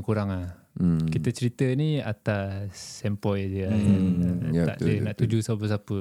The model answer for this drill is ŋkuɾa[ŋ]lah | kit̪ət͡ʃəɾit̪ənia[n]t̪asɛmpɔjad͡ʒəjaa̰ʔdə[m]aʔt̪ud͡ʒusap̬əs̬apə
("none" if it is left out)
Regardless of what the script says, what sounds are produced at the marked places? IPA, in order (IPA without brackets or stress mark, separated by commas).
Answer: ŋ, none, n